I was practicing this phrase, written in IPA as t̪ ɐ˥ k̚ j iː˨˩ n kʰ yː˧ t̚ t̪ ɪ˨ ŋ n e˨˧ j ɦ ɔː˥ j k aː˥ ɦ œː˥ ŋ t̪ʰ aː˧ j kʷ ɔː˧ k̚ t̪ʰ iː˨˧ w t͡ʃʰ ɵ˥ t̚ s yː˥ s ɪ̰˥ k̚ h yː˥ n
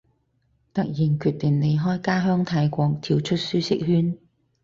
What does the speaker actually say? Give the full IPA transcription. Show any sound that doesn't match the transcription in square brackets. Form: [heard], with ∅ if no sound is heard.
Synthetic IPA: t̪ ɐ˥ k̚ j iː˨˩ n kʰ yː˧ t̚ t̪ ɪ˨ ŋ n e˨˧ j ɦ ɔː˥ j k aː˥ ɦ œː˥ ŋ t̪ʰ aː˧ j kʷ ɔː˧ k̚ t̪ʰ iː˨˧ w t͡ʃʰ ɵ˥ t̚ s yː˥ s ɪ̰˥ k̚ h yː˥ n